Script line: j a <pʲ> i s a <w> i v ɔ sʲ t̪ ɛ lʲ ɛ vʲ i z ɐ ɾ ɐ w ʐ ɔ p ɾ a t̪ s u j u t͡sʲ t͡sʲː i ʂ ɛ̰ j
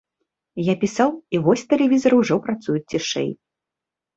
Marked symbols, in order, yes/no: yes, yes

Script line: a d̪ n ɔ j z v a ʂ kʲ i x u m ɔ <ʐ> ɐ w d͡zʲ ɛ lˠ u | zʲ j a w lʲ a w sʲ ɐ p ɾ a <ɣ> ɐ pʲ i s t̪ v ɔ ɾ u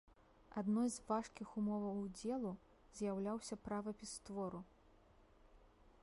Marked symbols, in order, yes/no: no, no

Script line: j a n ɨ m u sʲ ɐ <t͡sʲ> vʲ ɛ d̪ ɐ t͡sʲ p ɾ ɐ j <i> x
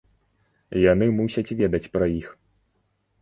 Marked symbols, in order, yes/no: yes, yes

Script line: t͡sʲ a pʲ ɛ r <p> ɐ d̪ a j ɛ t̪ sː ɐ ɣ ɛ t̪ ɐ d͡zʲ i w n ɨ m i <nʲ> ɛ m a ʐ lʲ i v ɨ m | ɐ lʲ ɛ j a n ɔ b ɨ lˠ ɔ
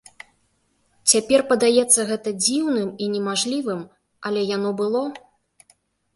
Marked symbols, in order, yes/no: yes, yes

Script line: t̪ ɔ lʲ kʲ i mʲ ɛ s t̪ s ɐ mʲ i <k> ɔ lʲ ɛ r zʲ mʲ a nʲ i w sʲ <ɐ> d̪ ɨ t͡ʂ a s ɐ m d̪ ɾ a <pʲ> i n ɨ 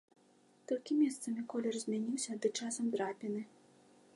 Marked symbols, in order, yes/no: yes, yes, yes

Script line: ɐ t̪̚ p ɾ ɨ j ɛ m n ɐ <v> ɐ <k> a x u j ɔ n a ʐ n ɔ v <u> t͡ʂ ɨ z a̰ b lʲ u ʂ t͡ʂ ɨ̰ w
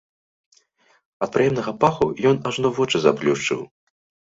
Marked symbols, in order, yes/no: no, no, no

